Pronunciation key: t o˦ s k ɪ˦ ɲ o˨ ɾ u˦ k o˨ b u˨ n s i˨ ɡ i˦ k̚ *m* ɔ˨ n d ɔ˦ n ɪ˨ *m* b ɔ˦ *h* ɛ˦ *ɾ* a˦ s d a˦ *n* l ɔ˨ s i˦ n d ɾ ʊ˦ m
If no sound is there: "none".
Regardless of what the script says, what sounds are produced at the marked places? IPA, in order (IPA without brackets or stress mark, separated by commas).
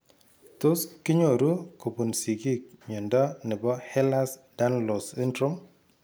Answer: ɲ, none, h, l, n